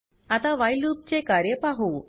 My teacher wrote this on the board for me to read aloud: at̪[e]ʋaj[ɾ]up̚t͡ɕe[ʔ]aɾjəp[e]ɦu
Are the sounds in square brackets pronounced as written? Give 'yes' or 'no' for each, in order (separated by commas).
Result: no, no, no, no